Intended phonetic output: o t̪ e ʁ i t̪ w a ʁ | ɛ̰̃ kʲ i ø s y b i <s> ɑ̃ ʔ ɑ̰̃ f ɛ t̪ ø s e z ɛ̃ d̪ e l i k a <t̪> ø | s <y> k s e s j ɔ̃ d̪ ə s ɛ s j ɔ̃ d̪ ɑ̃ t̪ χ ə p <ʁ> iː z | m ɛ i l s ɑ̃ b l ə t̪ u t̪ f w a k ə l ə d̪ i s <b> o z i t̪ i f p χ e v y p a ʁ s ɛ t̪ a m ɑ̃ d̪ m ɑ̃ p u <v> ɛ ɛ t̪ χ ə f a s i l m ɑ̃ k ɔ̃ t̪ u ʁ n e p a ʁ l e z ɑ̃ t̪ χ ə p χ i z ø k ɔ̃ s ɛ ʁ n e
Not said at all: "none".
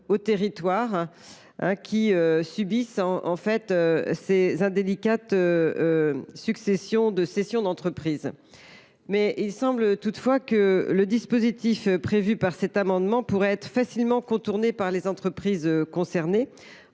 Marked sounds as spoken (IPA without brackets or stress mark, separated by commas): s, t̪, y, χ, p, ʁ